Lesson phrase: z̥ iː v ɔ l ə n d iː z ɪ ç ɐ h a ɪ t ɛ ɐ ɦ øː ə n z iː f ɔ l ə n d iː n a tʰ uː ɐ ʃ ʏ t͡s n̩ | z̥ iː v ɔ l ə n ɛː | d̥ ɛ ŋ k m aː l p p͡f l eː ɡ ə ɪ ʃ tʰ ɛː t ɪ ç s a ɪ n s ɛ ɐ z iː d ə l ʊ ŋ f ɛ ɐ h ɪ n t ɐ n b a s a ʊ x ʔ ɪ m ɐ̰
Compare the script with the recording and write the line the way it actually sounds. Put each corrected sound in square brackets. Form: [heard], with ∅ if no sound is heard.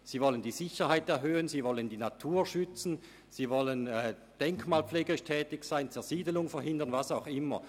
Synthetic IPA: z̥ iː v ɔ l ə n d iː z ɪ ç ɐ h a ɪ t ɛ ɐ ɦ øː ə n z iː [v] ɔ l ə n d iː n a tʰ uː ɐ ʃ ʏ t͡s n̩ | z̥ iː v ɔ l ə n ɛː | d̥ ɛ ŋ k m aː l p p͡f l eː ɡ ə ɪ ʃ tʰ ɛː t ɪ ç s a ɪ n [t͡s] ɛ ɐ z iː d ə l ʊ ŋ f ɛ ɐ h ɪ n [d] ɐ n [v] a s a ʊ x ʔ ɪ m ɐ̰

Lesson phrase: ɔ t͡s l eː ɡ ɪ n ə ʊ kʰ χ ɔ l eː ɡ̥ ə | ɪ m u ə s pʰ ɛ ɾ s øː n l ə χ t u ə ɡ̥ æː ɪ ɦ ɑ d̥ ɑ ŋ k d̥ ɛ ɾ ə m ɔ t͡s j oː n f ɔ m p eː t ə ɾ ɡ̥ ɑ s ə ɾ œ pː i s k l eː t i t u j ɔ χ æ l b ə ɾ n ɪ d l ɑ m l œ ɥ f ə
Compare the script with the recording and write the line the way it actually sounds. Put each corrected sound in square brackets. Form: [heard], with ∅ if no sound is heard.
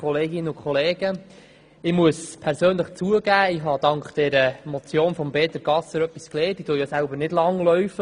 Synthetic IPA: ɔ [∅] l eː ɡ ɪ n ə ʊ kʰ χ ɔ l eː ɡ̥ ə | ɪ m u ə s pʰ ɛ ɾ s øː n l ə χ [t͡s] u ə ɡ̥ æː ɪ ɦ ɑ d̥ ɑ ŋ k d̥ ɛ ɾ ə m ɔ t͡s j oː n f ɔ m [b] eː t ə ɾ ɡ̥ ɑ s ə ɾ œ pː i s k l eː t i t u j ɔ [s] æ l b ə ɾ n ɪ d l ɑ [ŋ] l œ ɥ f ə

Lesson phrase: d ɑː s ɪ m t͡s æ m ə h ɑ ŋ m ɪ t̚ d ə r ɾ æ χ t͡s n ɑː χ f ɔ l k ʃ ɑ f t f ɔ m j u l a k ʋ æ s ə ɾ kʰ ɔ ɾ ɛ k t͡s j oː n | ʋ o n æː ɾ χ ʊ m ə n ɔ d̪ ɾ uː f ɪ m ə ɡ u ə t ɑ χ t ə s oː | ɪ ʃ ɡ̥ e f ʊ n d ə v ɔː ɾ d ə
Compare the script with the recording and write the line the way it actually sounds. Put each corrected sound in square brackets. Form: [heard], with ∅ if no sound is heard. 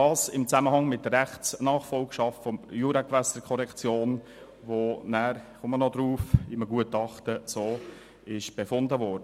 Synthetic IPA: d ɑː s ɪ m t͡s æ m ə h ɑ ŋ m ɪ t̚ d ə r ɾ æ χ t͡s n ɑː χ f ɔ l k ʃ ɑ f t f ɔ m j u [ɾ] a k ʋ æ s ə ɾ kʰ ɔ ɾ ɛ k t͡s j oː n | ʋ o n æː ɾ χ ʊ m ə n ɔ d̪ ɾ uː f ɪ m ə ɡ u ə t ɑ χ t ə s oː | ɪ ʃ [b̥] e f ʊ n d ə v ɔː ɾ d ə

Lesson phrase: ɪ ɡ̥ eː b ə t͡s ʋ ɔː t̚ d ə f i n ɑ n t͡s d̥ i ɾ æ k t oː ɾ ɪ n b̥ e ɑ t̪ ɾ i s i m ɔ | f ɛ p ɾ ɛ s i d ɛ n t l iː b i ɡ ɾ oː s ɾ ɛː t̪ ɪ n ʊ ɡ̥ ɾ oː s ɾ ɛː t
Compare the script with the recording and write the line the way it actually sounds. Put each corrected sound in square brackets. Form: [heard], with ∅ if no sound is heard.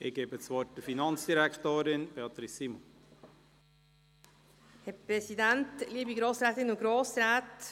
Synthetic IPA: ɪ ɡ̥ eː b ə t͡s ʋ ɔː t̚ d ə f i n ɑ n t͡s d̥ i ɾ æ k t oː ɾ ɪ n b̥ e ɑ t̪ ɾ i s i m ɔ | [h] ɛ p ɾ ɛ s i d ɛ n t l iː b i ɡ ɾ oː s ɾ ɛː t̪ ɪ n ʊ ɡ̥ ɾ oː s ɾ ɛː t

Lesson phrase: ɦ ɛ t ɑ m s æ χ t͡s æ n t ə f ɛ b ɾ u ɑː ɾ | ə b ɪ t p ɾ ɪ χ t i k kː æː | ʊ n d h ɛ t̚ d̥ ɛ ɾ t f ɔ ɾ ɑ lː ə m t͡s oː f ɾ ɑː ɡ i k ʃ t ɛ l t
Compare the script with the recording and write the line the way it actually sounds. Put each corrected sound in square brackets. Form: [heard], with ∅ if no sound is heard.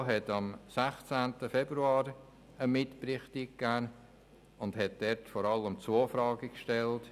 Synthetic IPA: ɦ ɛ t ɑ m s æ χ t͡s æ n t ə f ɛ b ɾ u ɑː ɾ | ə [m] ɪ t p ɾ ɪ χ t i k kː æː | ʊ n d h ɛ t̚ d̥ ɛ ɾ t f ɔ ɾ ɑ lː ə m t͡s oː f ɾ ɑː ɡ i k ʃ t ɛ l t

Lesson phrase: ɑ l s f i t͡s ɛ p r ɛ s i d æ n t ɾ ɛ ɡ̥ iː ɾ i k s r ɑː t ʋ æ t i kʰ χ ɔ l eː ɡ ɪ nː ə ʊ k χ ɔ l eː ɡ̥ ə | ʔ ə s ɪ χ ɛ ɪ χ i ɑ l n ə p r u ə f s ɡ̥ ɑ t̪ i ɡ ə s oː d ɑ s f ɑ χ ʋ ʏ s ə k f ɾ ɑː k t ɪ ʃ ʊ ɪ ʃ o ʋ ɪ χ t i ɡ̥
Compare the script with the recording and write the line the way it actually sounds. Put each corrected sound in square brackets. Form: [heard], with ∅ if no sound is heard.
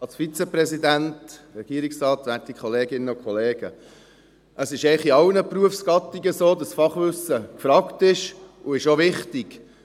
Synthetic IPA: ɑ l s f i t͡s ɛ p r ɛ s i d æ n t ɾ ɛ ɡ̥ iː ɾ i k s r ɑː t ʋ æ t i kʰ χ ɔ l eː ɡ ɪ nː ə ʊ k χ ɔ l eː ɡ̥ ə | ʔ ə s ɪ [ʃ] ɛ ɪ χ i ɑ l n ə p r u ə f s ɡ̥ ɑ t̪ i ɡ ə s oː d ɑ s f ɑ χ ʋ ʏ s ə k f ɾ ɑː k t ɪ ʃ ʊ ɪ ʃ o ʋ ɪ χ t i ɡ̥

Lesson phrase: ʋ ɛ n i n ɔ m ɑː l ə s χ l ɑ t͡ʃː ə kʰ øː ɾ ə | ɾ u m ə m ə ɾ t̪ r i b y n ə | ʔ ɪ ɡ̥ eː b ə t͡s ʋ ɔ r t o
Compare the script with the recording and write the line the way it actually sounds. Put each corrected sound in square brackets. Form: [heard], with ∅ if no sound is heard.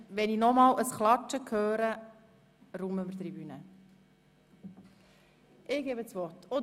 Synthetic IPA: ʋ ɛ n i n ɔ m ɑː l ə s χ l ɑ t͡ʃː ə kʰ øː ɾ ə | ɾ u m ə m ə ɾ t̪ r i b y n ə | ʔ ɪ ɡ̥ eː b ə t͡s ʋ ɔ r t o

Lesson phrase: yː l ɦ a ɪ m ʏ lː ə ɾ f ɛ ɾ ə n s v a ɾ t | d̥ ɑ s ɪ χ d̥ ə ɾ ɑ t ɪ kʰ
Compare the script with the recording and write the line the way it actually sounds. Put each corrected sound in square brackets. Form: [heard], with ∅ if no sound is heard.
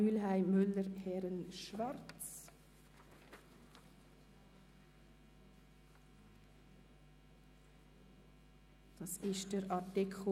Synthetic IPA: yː l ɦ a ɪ m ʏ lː ə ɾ [h] ɛ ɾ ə n [ʃ] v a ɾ [t͡s] | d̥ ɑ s ɪ [ʃ] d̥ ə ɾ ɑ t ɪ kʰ

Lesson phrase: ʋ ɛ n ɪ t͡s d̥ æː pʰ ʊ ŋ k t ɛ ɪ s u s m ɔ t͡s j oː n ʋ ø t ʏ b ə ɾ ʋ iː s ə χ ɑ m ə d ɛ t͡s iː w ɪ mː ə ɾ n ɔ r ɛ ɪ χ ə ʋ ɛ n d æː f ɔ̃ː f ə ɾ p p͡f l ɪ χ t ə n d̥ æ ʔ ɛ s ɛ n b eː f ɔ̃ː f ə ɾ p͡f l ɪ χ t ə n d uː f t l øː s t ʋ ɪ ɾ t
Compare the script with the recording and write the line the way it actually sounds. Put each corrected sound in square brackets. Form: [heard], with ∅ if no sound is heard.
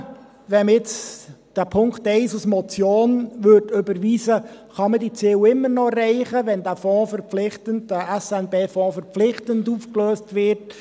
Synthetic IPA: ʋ ɛ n ɪ t͡s d̥ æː pʰ ʊ ŋ k t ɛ ɪ s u s m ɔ t͡s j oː n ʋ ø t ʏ b ə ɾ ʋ iː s ə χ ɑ m ə d [i] t͡s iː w ɪ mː ə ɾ n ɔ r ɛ ɪ χ ə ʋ ɛ n d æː f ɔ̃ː f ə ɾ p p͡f l ɪ χ t ə n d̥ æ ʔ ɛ s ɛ n b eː f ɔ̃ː f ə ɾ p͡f l ɪ χ t ə n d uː f [k] l øː s t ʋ ɪ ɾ t

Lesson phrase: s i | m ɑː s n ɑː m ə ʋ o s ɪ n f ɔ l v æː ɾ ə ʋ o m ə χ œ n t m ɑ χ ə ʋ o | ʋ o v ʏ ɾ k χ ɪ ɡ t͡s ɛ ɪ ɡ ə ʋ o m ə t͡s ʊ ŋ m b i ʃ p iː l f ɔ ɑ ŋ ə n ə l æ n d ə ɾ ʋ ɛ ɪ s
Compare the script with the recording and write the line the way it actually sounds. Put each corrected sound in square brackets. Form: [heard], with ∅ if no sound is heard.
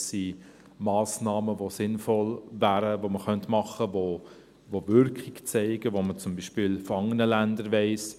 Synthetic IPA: s i | m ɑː s n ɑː m ə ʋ o s ɪ n f ɔ l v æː ɾ ə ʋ o m ə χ œ n t m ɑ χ ə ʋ o | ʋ o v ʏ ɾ k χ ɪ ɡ t͡s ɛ ɪ ɡ ə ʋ o m ə t͡s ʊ [∅] m b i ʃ p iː l f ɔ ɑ ŋ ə n ə l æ n d ə ɾ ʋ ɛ ɪ s

